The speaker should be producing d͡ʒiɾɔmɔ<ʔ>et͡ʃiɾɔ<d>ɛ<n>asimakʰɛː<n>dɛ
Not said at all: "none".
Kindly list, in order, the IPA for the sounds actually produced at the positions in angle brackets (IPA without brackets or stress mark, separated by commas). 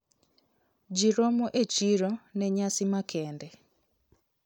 ʔ, n, ɲ, n